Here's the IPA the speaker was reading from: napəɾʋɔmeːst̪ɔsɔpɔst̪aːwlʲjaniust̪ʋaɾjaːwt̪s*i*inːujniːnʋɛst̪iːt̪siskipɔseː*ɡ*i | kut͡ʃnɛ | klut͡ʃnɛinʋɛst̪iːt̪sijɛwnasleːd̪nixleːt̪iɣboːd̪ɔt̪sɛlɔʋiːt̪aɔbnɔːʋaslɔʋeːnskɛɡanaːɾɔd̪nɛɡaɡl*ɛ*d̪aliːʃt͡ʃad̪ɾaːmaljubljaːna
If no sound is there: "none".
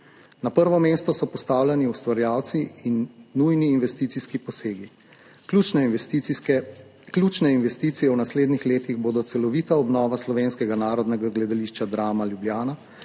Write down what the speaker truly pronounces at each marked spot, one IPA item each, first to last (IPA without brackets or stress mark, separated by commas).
i, ɡ, ɛ